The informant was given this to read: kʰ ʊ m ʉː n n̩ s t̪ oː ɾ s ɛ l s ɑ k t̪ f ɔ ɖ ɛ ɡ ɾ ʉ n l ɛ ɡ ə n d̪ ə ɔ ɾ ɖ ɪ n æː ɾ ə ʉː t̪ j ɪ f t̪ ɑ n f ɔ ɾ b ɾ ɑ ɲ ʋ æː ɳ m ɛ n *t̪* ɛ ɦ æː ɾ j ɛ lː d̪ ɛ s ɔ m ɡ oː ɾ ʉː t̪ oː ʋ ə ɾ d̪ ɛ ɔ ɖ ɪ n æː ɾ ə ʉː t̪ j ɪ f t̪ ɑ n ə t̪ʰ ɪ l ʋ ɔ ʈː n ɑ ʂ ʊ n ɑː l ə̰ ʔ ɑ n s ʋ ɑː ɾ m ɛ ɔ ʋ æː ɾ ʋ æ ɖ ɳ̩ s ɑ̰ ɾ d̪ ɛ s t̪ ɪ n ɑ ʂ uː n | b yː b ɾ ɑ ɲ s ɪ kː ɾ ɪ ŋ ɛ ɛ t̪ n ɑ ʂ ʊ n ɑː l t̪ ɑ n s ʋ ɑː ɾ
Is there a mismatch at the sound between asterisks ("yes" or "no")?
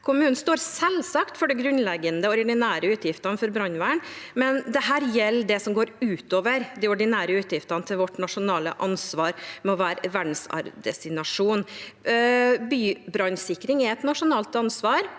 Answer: yes